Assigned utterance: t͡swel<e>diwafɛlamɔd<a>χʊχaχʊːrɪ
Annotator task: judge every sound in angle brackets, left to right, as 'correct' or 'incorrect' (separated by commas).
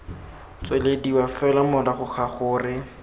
correct, correct